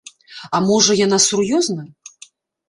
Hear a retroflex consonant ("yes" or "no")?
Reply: yes